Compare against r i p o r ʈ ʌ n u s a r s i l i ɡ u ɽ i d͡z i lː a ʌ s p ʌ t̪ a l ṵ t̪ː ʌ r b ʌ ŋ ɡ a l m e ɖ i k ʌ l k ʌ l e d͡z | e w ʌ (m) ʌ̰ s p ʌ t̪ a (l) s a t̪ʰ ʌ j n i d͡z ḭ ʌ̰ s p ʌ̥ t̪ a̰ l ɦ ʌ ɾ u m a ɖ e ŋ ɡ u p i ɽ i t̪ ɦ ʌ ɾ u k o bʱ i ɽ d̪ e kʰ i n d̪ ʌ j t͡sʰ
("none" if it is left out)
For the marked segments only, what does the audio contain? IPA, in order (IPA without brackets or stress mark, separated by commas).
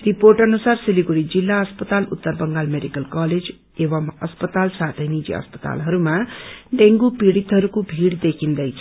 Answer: m, l